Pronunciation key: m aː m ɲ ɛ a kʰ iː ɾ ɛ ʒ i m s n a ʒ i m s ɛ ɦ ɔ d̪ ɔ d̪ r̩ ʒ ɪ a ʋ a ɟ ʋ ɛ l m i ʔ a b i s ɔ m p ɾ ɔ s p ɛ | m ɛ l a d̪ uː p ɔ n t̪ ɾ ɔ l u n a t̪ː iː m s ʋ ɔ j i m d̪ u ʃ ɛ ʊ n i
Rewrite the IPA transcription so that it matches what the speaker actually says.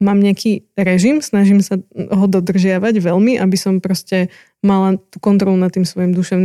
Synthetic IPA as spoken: m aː m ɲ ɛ a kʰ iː ɾ ɛ ʒ i m s n a ʒ i m s a ɦ ɔ d̪ ɔ d̪ r̩ ʒ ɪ a ʋ a ɟ ʋ ɛ l m i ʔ a b i s ɔ m p ɾ ɔ s c ɛ | m a l a t̪ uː k ɔ n t̪ ɾ ɔ l u n a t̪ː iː m s ʋ ɔ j i m d̪ u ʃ ɛ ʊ n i